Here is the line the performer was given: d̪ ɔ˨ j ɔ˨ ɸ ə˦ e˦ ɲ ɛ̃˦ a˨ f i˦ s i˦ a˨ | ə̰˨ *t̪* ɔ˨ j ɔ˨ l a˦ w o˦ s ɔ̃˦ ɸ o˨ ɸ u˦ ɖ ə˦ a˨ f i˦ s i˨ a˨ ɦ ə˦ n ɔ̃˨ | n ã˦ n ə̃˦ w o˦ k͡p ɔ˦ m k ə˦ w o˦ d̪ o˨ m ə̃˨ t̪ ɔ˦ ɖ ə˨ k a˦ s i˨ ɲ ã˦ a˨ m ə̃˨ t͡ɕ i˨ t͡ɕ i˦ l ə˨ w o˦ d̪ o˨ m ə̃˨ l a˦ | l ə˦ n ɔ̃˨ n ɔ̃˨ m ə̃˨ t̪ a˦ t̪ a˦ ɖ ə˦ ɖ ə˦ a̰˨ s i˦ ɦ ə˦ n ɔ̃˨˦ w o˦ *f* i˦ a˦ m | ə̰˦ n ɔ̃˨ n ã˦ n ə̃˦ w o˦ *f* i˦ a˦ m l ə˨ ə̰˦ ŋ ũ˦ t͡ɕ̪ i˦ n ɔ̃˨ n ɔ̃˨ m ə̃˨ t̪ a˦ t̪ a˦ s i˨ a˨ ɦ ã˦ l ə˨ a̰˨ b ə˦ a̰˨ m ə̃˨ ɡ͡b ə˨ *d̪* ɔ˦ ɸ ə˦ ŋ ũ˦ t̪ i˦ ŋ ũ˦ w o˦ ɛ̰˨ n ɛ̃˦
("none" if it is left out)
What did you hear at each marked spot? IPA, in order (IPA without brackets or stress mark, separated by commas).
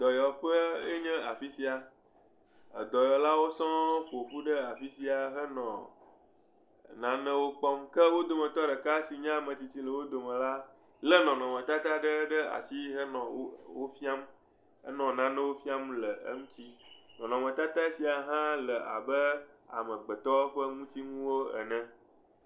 d̪, f, f, t̪